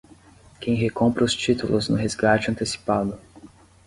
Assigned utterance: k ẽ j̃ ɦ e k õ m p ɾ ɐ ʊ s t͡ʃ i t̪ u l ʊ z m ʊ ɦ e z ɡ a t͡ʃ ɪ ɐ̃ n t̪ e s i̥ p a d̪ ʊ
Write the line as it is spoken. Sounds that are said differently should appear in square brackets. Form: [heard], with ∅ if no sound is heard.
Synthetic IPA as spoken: k ẽ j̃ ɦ e k õ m p ɾ ɐ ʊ s t͡ʃ i t̪ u l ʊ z [n] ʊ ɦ e z ɡ a t͡ʃ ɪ ɐ̃ n t̪ e s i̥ p a d̪ ʊ